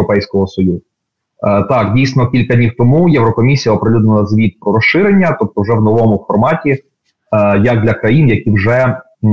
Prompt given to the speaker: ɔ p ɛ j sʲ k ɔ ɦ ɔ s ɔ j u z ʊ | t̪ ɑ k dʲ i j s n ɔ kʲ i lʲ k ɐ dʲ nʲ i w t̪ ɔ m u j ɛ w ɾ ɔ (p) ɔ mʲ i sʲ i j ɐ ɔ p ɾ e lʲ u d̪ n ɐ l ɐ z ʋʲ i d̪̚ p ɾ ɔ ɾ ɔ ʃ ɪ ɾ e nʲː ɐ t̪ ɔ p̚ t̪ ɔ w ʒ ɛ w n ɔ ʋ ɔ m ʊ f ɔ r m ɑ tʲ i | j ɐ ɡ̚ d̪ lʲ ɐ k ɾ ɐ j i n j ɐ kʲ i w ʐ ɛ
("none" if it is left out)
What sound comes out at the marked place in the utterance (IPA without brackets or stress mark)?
k